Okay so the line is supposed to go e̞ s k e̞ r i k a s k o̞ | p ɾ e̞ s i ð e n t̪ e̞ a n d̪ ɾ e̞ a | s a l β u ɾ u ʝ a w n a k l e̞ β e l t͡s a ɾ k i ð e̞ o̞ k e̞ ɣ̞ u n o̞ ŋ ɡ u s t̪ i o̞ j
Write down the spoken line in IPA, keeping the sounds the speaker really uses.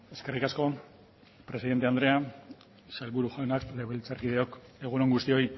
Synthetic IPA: e̞ s k e̞ r i k a s k o̞ | p ɾ e̞ s i ð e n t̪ e̞ a n d̪ ɾ e̞ a | s a l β u ɾ u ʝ a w n a k l e̞ β e l t͡s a ɾ k i ð e̞ o̞ k e̞ ɣ̞ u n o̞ ŋ ɡ u s t̪ i o̞ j